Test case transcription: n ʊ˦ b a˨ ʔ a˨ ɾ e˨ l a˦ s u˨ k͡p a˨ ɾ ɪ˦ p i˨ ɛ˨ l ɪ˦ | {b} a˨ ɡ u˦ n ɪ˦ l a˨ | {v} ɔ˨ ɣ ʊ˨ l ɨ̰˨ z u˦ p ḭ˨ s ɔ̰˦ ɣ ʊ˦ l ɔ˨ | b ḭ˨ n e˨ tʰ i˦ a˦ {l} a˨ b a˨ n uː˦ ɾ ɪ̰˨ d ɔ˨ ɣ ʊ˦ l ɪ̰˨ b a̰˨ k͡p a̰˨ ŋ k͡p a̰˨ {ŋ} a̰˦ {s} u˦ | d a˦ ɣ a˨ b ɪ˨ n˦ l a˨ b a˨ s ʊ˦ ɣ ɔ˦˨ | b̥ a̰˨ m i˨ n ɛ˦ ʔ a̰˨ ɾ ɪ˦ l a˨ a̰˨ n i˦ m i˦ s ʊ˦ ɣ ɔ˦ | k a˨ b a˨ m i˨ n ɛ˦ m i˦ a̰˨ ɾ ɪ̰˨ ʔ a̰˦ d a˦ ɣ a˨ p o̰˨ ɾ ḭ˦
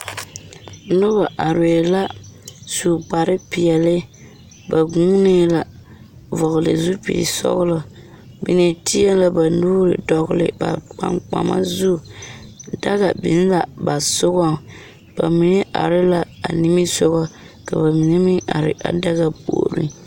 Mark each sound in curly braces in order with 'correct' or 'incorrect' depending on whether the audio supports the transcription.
correct, correct, correct, incorrect, incorrect

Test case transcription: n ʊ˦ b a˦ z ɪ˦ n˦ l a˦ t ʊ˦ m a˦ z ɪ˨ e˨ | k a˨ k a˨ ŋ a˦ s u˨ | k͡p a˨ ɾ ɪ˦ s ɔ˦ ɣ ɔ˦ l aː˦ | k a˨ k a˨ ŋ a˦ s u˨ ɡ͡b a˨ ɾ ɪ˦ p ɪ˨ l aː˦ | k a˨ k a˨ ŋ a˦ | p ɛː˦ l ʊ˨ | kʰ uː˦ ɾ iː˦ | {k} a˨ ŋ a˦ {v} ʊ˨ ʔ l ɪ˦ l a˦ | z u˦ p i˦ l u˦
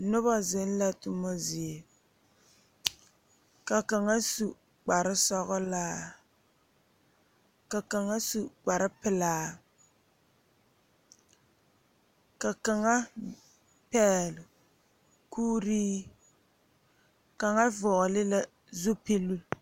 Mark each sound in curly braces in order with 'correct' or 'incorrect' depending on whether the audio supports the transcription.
correct, correct

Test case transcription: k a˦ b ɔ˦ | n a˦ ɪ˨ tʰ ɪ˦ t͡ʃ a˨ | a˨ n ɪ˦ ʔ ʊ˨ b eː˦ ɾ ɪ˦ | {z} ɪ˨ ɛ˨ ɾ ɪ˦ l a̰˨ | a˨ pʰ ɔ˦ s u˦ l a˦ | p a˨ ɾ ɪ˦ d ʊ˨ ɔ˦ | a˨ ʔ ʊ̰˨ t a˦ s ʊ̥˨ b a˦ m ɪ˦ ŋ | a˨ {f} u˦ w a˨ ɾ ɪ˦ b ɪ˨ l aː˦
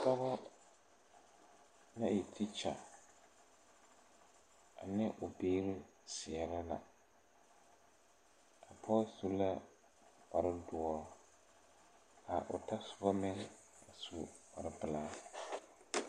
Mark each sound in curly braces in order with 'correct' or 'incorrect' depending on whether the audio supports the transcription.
incorrect, incorrect

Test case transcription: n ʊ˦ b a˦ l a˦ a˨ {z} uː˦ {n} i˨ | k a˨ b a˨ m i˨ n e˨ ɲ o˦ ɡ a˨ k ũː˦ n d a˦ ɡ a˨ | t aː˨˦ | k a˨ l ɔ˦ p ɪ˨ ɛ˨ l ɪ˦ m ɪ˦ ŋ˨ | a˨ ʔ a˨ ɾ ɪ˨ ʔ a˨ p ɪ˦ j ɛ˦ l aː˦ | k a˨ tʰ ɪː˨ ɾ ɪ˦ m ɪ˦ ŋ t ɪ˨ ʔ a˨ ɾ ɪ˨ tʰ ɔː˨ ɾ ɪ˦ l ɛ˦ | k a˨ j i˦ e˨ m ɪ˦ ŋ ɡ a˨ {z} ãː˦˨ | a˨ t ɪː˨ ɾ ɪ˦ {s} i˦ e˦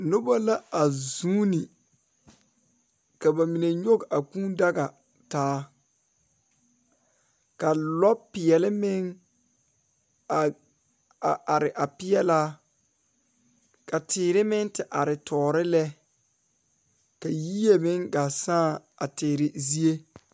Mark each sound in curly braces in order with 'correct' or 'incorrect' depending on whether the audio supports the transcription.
correct, correct, incorrect, incorrect

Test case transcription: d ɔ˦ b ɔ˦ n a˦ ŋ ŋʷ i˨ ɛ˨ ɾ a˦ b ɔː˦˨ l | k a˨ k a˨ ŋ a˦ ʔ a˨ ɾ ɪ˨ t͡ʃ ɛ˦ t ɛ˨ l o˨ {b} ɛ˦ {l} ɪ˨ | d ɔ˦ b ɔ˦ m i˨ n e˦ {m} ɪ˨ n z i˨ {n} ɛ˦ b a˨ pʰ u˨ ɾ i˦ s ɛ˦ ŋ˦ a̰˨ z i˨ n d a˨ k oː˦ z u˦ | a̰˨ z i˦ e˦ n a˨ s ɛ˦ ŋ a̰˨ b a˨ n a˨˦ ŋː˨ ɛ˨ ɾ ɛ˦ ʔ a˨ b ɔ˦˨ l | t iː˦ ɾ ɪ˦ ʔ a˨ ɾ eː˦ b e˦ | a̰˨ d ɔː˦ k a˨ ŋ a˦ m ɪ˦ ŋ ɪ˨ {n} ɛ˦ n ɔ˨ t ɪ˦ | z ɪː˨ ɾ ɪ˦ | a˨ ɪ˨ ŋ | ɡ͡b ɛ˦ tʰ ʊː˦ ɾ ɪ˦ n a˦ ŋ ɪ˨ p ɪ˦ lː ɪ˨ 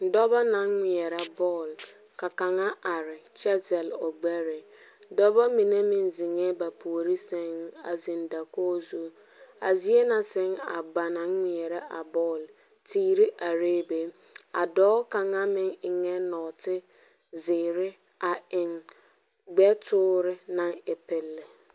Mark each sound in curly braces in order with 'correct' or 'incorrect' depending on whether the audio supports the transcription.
incorrect, incorrect, correct, incorrect, incorrect

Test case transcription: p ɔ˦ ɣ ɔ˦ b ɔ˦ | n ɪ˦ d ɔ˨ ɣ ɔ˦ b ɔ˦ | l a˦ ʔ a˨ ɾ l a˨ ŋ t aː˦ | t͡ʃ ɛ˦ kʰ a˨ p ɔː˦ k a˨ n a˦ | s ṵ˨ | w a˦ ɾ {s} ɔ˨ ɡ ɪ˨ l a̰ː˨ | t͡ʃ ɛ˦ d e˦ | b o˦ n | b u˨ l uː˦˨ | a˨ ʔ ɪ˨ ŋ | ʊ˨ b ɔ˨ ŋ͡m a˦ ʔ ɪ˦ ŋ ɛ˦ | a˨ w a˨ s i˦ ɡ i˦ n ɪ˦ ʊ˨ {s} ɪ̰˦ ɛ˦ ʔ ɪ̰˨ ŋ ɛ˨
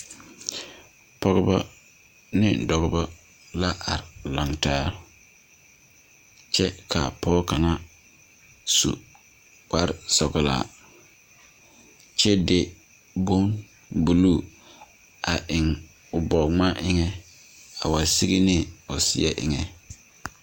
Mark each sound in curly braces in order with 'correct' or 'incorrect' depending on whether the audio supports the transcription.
correct, correct

